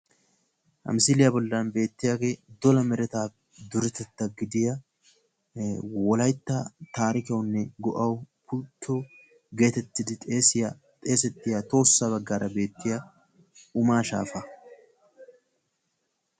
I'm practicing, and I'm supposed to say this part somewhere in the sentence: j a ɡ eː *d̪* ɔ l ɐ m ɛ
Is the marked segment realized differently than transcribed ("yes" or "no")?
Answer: no